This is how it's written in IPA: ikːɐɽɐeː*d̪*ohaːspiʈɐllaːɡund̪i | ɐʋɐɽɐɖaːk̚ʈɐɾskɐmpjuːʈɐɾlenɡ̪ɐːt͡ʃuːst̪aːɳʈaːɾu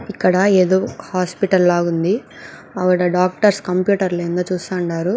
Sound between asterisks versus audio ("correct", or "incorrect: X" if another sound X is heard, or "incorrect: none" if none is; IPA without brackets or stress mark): correct